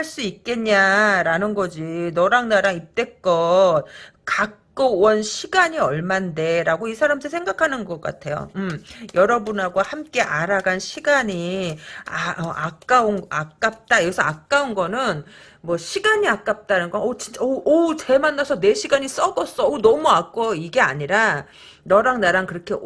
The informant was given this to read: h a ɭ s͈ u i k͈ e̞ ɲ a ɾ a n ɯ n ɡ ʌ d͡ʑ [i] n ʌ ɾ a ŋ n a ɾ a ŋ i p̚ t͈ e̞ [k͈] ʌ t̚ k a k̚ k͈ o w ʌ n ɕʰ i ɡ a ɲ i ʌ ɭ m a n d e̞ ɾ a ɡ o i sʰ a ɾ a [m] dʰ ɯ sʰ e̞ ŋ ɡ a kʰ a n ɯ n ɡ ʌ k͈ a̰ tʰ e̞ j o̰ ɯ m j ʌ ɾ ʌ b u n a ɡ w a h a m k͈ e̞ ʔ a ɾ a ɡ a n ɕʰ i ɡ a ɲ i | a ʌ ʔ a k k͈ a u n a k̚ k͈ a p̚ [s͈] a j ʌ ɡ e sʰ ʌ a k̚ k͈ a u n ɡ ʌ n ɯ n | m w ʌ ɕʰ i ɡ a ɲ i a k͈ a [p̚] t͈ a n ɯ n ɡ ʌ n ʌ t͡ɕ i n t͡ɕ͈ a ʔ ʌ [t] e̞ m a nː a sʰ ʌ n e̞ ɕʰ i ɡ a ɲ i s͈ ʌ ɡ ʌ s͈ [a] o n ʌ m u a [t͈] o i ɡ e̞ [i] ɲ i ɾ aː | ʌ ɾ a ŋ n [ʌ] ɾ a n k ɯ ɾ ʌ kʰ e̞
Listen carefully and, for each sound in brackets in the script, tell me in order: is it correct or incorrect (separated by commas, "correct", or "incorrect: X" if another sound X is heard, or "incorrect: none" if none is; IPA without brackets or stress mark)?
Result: correct, correct, correct, incorrect: t͈, correct, incorrect: t͡ɕ, incorrect: ʌ, incorrect: k͈, incorrect: a, incorrect: a